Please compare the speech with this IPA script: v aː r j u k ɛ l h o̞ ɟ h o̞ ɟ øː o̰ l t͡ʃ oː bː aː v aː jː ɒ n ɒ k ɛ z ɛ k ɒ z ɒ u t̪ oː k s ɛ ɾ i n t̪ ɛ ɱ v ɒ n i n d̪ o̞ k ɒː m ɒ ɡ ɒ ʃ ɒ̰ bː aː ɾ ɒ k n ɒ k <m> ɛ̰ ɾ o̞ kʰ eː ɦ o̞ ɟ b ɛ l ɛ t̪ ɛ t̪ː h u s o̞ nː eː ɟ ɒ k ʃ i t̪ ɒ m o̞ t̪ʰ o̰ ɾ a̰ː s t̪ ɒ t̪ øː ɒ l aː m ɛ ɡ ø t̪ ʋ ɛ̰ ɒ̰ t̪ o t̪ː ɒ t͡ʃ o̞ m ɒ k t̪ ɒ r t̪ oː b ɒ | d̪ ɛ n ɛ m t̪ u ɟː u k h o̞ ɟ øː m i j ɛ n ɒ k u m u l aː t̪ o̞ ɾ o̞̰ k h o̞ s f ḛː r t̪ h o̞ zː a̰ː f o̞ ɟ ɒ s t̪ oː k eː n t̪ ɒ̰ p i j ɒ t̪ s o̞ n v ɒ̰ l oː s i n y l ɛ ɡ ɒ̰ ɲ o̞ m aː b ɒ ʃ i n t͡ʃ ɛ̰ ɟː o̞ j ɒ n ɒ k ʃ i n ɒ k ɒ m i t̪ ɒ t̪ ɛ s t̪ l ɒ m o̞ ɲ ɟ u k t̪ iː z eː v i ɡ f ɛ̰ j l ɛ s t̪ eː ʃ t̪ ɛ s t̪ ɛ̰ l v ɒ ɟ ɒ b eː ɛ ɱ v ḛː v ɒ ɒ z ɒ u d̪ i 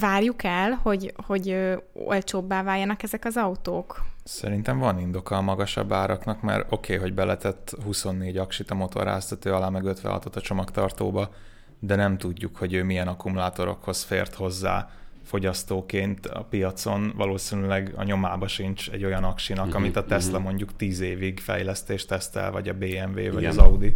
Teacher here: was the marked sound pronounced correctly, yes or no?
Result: yes